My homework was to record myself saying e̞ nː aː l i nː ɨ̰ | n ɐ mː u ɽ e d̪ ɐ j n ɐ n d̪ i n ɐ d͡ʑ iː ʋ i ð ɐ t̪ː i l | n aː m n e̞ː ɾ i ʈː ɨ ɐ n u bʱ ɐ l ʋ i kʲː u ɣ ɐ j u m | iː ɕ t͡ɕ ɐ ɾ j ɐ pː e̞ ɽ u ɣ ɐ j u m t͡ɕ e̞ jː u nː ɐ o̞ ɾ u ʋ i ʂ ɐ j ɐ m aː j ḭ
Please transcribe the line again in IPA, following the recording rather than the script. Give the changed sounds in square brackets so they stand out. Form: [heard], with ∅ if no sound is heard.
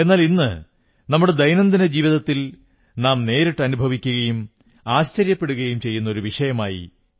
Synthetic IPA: e̞ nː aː l i nː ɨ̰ | n ɐ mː u ɽ e d̪ ɐ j n ɐ n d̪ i n ɐ d͡ʑ iː ʋ i ð ɐ t̪ː i l | n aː m n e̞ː ɾ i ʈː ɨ ɐ n u bʱ ɐ [∅] ʋ i kʲː u ɣ ɐ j u m | [aː] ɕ t͡ɕ ɐ ɾ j ɐ pː e̞ ɽ u ɣ ɐ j u m t͡ɕ e̞ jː u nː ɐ o̞ ɾ u ʋ i ʂ ɐ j ɐ m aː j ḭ